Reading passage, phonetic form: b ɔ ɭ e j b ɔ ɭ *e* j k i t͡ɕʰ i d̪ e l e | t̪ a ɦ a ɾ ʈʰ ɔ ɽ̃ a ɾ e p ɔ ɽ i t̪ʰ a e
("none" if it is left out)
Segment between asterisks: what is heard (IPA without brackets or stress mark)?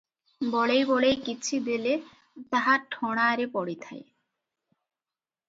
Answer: e